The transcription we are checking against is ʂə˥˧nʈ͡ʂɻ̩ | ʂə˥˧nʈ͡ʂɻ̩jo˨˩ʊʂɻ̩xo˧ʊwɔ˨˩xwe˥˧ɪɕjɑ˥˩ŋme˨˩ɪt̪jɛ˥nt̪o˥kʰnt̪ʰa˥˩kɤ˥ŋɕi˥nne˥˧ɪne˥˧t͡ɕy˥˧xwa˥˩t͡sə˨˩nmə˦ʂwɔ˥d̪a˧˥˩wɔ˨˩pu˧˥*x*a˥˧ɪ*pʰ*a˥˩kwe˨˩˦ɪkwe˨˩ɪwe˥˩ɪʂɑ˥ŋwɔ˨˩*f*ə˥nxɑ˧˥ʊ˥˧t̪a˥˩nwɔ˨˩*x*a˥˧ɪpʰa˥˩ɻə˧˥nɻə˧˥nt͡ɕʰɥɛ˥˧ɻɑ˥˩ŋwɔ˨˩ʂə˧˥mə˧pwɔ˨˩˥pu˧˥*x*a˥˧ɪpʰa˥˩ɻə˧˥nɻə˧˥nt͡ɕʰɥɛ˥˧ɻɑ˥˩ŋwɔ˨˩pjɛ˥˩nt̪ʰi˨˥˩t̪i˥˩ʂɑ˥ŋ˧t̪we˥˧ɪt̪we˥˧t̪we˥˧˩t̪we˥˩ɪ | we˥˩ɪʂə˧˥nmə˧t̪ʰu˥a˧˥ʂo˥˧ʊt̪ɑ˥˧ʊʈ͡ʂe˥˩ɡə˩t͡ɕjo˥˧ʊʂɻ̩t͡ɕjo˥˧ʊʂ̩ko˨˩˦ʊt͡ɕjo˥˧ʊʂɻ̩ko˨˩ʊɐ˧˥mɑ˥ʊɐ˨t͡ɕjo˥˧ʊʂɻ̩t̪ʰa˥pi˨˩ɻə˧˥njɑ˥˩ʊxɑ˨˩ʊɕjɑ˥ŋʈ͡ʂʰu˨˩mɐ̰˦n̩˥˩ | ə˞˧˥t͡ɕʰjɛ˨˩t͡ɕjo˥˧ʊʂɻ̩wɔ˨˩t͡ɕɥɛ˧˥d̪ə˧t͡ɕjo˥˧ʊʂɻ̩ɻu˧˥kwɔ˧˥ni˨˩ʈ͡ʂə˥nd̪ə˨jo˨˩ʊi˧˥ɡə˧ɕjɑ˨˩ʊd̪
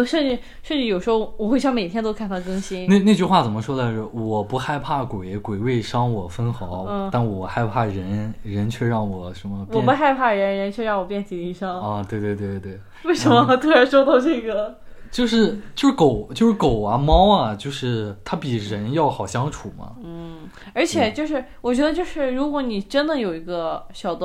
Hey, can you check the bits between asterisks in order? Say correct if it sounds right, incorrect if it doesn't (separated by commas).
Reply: correct, correct, correct, correct, correct